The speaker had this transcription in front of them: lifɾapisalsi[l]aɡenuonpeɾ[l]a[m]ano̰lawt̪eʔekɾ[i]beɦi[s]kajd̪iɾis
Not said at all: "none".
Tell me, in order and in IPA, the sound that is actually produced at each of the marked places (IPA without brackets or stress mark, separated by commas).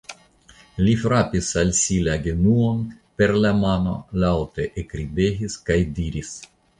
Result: l, l, m, i, s